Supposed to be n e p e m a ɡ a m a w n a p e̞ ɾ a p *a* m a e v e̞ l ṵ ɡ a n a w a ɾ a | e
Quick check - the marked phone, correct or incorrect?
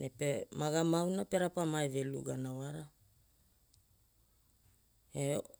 correct